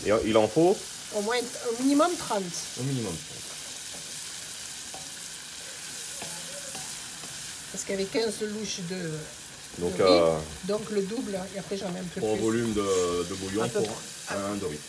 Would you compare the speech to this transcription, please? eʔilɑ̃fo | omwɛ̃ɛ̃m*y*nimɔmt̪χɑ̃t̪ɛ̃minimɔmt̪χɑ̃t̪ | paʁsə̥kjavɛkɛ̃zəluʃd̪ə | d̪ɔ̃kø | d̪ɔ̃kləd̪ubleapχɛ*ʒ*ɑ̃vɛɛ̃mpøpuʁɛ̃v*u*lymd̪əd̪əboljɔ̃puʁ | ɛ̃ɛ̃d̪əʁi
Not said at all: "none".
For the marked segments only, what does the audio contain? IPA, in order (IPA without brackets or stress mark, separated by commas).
i, ʒ, ɔ